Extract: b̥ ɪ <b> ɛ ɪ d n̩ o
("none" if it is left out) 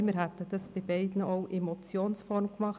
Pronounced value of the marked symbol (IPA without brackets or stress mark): b